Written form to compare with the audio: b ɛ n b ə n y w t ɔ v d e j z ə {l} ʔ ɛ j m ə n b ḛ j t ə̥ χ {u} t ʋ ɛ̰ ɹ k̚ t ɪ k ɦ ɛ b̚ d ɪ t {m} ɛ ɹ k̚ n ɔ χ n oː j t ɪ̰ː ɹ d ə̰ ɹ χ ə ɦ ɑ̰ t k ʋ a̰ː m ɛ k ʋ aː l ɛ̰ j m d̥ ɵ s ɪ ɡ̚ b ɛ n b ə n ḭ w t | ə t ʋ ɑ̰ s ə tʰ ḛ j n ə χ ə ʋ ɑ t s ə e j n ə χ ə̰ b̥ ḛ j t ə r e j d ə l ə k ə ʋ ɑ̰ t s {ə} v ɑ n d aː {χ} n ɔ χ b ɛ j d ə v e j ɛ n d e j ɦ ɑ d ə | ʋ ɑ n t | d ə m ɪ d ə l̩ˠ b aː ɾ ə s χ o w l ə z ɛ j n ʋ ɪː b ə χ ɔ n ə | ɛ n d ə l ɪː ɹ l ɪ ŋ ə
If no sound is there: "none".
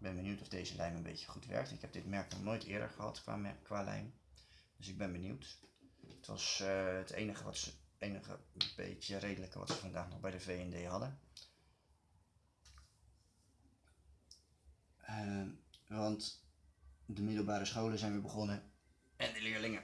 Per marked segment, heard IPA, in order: l, u, m, ə, χ

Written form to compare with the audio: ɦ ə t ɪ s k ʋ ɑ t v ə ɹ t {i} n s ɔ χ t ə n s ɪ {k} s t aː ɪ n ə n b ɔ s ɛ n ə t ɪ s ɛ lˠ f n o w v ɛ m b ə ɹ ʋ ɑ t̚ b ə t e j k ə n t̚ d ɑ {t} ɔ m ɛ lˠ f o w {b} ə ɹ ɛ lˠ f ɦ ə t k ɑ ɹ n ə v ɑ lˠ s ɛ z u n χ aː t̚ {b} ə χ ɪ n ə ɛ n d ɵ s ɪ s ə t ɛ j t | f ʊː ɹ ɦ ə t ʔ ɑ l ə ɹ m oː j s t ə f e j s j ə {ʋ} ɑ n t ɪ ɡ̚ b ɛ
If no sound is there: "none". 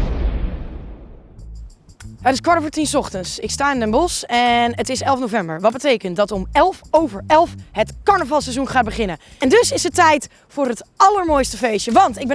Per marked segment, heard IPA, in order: i, k, t, v, b, ʋ

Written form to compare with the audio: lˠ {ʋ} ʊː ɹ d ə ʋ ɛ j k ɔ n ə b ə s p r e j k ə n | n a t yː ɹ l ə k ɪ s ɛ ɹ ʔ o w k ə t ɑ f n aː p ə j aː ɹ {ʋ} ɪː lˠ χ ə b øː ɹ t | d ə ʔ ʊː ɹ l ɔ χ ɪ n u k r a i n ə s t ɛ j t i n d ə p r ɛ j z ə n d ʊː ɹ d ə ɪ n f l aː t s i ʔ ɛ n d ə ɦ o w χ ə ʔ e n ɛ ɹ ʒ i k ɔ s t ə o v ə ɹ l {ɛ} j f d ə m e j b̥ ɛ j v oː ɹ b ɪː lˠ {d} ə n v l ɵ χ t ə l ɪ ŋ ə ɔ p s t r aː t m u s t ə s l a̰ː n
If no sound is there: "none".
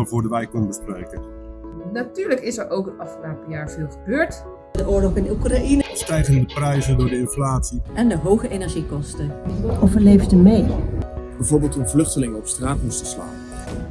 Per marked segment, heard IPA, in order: v, v, e, t

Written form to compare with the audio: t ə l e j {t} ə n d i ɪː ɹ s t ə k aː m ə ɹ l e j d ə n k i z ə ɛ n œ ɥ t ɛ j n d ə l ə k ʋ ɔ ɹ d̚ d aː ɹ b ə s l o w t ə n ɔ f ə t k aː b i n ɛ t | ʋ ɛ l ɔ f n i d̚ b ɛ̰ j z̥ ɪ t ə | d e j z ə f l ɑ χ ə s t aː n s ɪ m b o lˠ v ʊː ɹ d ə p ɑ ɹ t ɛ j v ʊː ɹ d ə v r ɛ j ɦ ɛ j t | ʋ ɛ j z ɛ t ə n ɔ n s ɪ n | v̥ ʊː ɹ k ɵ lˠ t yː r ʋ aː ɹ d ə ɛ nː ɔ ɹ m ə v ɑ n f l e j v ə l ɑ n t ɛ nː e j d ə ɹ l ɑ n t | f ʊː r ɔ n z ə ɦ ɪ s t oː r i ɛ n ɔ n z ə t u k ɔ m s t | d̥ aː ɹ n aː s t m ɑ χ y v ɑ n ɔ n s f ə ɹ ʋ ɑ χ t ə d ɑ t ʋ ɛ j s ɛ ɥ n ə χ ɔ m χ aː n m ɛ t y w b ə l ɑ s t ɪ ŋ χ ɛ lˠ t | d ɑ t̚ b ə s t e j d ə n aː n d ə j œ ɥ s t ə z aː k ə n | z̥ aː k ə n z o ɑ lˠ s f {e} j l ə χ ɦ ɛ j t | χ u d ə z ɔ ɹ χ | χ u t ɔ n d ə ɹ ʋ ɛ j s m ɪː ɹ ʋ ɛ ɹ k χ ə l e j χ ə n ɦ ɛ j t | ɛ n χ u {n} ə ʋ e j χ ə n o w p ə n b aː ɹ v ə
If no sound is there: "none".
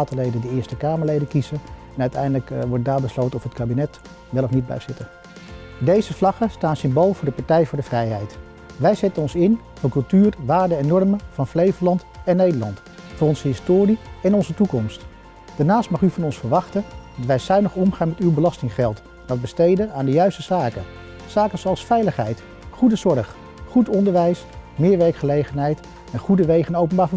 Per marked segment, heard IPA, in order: d, ɛ, d

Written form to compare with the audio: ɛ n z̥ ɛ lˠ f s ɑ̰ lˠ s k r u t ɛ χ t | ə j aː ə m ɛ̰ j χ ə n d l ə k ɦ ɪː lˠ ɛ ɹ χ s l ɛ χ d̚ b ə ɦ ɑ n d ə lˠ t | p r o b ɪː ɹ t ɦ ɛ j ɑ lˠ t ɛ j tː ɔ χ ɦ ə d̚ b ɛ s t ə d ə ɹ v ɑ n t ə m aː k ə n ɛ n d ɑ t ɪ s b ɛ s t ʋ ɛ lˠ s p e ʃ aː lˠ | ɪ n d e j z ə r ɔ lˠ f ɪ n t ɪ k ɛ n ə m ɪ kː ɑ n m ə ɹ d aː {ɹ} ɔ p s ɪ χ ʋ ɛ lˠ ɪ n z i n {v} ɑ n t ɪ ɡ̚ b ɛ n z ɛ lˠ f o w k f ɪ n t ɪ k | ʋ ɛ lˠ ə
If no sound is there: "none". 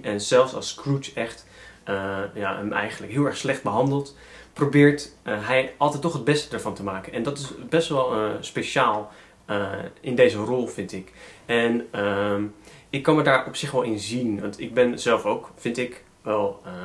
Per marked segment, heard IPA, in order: ɹ, ʋ

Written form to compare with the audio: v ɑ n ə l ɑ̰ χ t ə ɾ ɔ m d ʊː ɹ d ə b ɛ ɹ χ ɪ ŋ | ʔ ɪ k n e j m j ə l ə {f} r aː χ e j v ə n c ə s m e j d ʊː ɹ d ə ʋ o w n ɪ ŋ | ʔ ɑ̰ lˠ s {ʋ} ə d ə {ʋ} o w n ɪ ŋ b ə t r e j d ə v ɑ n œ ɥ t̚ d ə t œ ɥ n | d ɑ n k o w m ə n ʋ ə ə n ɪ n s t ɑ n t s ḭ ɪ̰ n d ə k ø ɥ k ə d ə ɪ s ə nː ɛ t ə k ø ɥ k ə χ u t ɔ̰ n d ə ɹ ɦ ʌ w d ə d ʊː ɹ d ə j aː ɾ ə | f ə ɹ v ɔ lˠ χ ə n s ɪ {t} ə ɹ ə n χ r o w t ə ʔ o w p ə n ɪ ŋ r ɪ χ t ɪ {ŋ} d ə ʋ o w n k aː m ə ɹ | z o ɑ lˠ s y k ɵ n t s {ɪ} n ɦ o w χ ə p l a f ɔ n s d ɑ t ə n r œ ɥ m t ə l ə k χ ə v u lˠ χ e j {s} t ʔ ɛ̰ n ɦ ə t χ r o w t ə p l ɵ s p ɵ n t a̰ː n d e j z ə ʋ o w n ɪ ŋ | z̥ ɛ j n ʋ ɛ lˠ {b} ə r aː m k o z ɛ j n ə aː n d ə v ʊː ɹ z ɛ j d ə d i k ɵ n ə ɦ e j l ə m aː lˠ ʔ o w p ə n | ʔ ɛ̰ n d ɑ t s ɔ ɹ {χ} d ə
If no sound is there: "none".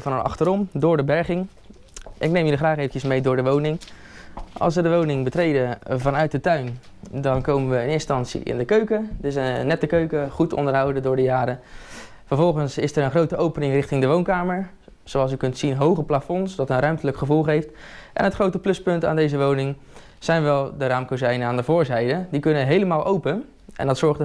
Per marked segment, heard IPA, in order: χ, ʋ, ʋ, s, ŋ, i, f, d, χ

